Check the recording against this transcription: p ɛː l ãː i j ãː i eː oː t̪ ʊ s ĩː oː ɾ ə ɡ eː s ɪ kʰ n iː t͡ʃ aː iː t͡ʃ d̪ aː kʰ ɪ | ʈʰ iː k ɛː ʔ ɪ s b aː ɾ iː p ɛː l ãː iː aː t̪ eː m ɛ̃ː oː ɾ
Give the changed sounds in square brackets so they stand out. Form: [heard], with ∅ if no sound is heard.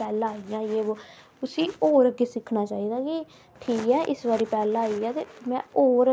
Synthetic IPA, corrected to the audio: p ɛː l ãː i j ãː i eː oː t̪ ʊ s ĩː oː ɾ ə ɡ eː s ɪ kʰ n [aː] t͡ʃ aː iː [∅] d̪ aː [k] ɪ | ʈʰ iː k ɛː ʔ ɪ s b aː ɾ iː p ɛː l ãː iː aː t̪ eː m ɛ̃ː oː ɾ